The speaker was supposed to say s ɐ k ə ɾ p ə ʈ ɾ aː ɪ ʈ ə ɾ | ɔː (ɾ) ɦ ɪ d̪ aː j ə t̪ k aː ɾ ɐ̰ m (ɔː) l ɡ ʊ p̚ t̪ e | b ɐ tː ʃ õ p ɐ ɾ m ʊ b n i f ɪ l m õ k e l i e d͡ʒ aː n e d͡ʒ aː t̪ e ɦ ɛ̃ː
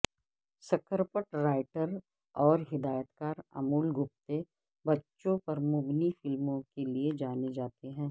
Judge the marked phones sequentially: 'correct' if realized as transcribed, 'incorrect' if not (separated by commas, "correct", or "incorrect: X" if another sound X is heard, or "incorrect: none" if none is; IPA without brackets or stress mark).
correct, incorrect: uː